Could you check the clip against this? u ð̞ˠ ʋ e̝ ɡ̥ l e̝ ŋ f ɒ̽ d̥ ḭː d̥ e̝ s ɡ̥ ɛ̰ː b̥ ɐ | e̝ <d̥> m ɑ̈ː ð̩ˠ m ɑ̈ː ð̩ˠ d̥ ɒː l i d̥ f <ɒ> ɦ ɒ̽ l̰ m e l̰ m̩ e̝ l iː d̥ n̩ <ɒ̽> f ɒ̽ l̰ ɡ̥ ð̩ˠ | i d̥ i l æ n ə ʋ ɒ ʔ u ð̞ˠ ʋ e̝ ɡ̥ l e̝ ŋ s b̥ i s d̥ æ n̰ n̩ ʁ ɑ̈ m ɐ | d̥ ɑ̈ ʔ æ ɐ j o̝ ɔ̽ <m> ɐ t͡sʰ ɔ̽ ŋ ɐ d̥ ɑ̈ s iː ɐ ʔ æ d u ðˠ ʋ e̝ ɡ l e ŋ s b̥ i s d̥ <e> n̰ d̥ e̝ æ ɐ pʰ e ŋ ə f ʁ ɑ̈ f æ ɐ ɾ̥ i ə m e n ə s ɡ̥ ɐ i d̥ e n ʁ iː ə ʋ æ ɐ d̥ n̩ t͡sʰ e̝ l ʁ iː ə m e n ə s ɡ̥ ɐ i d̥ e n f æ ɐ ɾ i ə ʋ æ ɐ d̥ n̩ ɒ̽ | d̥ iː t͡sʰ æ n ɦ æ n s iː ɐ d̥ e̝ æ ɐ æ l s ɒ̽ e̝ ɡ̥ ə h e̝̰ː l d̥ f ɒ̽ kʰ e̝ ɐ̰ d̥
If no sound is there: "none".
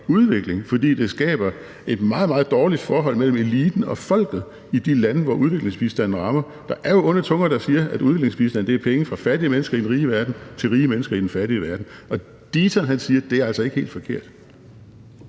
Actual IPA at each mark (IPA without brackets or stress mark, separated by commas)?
d̥, ɒː, ɒ̽, n, æ